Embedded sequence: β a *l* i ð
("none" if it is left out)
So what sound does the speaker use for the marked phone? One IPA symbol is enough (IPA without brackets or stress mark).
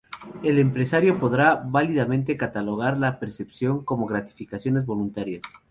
l